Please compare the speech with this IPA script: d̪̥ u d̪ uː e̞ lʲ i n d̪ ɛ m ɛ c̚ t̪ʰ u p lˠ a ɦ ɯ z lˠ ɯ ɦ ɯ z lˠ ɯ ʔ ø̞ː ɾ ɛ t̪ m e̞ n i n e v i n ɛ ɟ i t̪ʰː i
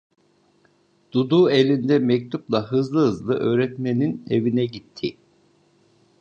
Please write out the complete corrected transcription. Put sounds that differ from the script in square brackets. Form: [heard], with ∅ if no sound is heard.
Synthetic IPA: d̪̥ u d̪ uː e̞ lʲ i n d̪ ɛ m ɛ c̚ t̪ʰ u p lˠ a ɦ ɯ z lˠ ɯ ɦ ɯ z lˠ ɯ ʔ ø̞ː ɾ ɛ t̪ m e̞ n i n e v i n ɛ ɟ i t̪ʰː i